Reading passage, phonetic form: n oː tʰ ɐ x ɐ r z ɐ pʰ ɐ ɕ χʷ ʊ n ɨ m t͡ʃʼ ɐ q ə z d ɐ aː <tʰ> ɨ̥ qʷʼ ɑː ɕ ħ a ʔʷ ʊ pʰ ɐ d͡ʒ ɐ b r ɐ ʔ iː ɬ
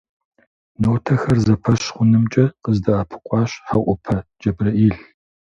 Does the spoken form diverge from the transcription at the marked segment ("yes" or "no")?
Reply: yes